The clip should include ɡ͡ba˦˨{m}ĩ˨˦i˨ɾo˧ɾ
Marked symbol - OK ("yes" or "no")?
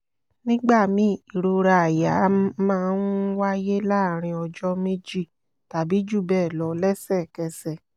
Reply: yes